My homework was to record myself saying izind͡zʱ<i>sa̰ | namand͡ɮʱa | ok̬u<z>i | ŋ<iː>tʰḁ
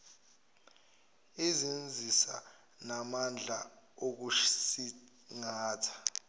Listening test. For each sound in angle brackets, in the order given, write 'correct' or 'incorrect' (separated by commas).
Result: correct, incorrect, incorrect